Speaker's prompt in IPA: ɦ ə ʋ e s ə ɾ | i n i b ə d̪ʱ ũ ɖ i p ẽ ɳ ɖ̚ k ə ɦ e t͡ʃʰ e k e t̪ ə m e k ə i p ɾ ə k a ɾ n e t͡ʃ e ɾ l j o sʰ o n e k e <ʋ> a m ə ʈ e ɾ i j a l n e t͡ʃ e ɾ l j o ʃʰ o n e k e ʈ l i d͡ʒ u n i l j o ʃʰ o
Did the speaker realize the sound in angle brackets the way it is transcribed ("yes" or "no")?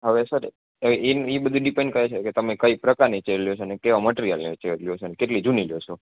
yes